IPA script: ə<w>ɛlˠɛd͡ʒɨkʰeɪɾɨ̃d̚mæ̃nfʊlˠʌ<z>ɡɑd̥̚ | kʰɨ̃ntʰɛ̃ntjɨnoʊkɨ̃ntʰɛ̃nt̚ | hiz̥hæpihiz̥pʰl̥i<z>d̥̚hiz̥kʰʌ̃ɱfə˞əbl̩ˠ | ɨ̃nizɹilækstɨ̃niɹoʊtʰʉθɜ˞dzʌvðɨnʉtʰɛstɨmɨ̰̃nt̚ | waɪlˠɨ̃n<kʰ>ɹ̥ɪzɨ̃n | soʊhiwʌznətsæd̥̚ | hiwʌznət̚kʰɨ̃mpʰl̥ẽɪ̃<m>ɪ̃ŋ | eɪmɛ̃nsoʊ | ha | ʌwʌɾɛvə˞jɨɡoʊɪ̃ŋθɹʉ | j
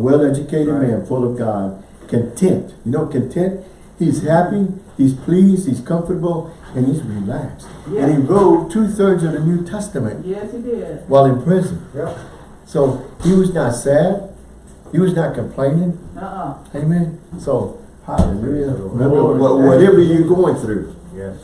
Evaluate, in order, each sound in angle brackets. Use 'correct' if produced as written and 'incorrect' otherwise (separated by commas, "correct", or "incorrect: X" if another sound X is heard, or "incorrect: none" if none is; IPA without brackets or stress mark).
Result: correct, incorrect: v, correct, incorrect: pʰ, incorrect: n